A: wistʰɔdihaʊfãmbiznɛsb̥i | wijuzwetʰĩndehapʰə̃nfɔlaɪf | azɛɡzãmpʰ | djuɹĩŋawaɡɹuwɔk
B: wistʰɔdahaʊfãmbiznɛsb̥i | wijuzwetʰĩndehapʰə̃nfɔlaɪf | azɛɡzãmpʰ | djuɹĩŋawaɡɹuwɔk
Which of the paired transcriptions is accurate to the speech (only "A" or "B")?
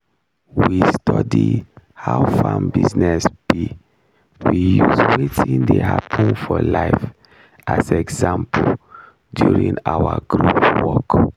A